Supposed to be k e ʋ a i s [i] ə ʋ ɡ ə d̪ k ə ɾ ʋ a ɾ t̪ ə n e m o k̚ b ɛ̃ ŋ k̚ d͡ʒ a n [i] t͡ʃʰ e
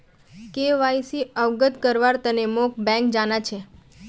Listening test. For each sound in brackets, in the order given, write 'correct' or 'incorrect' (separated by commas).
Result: correct, incorrect